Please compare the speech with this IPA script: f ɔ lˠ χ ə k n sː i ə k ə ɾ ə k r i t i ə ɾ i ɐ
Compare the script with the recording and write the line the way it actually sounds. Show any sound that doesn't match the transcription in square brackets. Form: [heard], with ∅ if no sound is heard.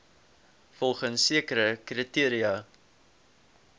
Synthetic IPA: f ɔ lˠ χ ə [∅] n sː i ə k ə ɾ ə k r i t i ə ɾ i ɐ